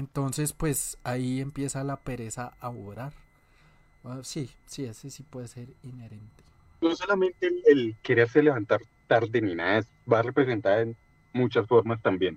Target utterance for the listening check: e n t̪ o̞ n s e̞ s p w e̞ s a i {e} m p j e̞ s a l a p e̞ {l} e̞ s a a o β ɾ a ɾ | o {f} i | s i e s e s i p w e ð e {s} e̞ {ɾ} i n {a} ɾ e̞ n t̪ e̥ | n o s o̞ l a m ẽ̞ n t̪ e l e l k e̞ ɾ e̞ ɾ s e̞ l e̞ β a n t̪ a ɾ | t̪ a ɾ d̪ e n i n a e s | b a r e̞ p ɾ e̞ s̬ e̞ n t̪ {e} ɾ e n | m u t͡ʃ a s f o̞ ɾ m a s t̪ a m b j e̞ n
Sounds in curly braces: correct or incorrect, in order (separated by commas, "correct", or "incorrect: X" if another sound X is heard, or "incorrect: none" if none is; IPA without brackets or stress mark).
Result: correct, incorrect: ɾ, incorrect: s, correct, correct, incorrect: e, incorrect: a